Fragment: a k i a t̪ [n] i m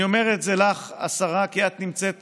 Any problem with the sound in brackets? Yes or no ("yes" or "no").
no